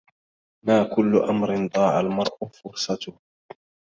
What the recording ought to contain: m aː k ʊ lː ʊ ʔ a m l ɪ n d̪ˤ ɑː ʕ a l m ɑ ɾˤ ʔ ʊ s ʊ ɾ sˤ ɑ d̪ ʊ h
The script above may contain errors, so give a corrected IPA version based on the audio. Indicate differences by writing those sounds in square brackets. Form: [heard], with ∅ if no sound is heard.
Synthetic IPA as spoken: m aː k ʊ lː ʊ ʔ a m [ɾ] ɪ n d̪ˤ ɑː ʕ a l m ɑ ɾˤ ʔ ʊ [f] ʊ ɾ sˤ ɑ [t̪] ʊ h